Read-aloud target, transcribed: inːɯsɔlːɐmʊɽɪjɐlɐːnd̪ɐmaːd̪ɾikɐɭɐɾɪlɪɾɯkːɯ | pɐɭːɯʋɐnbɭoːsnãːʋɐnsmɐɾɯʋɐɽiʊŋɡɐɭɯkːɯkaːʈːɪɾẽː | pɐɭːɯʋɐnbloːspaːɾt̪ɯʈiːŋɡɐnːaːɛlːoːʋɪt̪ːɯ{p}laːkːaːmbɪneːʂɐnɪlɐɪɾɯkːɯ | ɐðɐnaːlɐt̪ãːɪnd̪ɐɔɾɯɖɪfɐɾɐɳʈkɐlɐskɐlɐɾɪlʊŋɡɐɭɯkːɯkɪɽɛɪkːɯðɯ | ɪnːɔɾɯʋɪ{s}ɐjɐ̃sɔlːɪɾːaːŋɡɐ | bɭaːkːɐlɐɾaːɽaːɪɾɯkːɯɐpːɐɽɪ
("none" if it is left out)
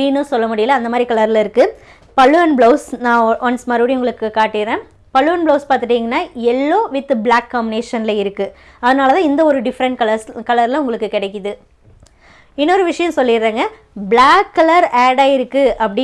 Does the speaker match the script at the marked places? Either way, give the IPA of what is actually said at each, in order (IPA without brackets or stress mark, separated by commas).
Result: b, ʂ